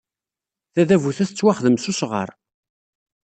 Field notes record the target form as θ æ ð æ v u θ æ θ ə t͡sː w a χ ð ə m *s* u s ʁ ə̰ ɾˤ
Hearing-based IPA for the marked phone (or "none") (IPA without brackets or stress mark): s